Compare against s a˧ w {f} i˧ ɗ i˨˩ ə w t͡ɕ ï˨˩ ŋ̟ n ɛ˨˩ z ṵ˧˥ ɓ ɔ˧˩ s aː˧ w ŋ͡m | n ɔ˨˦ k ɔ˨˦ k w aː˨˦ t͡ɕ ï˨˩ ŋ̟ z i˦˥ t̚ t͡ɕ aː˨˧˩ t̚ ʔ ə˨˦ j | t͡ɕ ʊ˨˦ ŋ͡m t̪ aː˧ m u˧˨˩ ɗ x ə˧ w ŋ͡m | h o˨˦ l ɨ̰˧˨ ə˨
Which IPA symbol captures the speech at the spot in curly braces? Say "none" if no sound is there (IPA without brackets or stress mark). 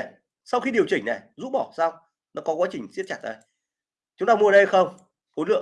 x